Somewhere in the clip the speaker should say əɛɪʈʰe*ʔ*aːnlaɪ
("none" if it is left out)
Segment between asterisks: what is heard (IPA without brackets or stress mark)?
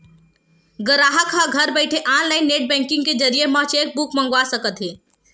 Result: ʔ